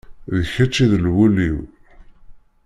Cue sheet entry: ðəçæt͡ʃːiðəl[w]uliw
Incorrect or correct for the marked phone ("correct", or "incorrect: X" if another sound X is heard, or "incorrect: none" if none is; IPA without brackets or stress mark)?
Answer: correct